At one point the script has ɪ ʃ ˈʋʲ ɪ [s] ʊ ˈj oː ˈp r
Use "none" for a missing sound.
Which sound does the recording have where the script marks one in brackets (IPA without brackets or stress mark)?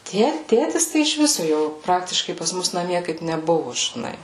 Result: s